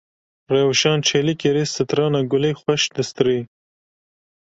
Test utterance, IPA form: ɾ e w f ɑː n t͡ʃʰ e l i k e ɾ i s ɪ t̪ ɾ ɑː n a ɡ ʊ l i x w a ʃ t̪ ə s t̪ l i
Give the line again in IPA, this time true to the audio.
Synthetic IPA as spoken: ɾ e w ʃ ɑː n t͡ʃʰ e l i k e ɾ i s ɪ t̪ ɾ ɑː n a ɡ ʊ l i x w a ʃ d̪ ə s t̪ ɾ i